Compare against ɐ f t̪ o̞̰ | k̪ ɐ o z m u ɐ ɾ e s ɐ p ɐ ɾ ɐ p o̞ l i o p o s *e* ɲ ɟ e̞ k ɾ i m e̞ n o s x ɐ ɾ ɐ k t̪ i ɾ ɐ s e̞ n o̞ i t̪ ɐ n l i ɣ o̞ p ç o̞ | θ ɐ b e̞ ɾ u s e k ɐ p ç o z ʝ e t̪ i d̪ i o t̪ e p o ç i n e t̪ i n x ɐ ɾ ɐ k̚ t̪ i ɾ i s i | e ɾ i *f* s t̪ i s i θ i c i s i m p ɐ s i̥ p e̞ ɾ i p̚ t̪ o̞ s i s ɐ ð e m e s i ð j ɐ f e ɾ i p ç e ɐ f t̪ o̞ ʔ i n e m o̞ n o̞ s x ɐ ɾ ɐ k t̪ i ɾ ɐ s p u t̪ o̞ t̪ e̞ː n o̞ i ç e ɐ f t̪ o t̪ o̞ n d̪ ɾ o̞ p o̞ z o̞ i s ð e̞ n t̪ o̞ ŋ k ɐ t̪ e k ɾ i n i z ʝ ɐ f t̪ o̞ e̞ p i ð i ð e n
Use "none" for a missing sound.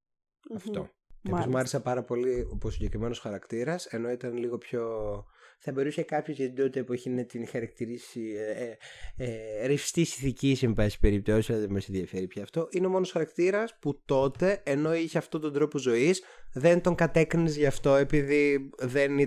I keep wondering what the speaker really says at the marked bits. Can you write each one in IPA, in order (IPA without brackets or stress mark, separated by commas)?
i, f